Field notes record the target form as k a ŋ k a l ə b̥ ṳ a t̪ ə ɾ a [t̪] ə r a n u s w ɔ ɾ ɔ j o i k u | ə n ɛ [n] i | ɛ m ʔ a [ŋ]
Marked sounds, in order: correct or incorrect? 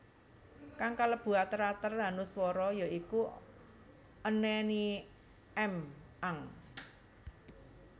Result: correct, correct, correct

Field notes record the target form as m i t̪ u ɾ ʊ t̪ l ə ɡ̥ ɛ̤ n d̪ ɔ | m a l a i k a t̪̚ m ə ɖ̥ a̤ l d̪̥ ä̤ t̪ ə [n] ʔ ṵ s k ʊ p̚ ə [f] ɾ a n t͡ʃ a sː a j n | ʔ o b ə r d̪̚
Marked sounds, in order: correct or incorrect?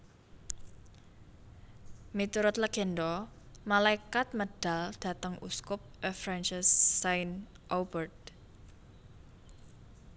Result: incorrect, correct

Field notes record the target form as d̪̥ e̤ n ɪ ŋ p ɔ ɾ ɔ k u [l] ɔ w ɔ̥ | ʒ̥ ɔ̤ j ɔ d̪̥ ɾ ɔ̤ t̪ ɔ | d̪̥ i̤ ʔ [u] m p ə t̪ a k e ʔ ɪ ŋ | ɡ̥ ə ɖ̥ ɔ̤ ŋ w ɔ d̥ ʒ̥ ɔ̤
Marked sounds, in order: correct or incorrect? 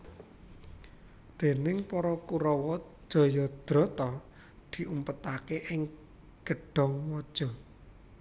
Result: incorrect, correct

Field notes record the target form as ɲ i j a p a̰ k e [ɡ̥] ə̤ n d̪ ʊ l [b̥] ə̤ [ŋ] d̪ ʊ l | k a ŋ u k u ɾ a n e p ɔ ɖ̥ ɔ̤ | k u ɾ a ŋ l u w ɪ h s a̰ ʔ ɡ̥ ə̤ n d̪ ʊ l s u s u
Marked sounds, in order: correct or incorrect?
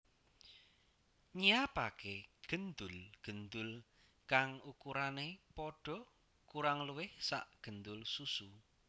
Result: correct, incorrect, incorrect

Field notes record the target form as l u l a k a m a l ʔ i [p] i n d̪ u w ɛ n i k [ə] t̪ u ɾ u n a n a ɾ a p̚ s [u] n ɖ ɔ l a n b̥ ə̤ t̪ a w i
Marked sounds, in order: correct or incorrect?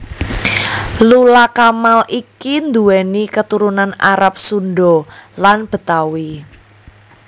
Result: incorrect, correct, correct

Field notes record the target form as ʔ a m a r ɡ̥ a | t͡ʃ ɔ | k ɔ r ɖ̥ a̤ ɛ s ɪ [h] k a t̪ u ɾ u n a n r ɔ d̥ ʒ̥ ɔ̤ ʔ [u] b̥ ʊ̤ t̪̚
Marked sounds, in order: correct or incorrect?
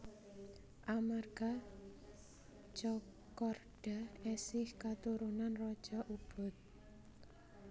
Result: correct, correct

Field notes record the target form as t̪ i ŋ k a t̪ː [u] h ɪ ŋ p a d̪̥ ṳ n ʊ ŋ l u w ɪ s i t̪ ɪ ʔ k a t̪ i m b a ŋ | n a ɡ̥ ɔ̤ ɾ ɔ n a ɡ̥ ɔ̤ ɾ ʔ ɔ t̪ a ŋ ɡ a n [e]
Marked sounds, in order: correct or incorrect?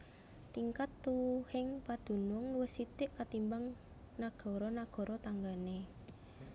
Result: correct, correct

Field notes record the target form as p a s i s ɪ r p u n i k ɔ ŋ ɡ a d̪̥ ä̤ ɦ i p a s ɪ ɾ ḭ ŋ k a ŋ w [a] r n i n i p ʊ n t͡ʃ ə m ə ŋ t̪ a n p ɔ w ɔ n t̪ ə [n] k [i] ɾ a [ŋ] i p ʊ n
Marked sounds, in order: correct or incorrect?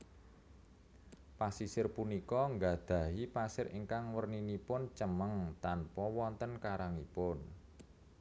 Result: incorrect, correct, incorrect, correct

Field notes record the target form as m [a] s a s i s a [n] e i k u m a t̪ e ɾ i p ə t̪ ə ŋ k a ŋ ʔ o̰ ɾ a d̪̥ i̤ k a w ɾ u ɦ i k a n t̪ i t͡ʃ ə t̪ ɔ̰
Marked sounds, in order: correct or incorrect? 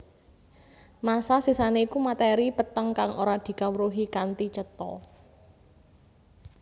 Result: correct, correct

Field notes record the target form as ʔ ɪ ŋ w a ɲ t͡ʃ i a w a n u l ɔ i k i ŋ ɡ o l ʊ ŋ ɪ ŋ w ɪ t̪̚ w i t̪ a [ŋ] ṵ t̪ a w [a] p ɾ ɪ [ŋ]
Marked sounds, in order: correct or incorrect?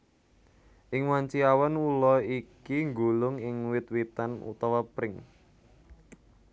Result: incorrect, correct, correct

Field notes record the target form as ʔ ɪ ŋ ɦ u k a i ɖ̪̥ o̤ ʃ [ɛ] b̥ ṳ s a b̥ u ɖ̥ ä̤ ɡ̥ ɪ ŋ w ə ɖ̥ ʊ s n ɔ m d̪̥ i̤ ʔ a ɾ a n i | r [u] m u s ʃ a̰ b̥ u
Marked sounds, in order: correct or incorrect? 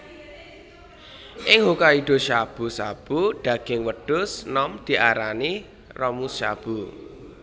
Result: incorrect, incorrect

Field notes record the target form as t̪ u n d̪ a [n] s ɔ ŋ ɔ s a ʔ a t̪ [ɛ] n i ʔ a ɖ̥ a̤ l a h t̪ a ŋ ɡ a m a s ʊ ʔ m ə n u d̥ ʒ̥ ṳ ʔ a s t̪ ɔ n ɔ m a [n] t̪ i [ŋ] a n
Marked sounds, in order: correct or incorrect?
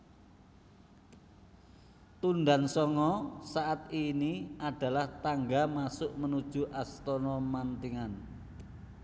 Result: correct, incorrect, correct, correct

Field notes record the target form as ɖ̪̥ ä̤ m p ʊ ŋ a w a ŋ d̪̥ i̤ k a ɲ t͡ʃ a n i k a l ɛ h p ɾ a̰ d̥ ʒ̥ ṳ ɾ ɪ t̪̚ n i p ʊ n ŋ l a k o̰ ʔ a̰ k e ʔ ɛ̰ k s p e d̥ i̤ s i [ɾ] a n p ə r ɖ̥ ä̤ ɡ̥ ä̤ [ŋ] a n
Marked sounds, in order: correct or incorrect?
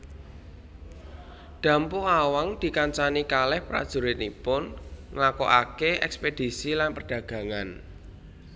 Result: incorrect, correct

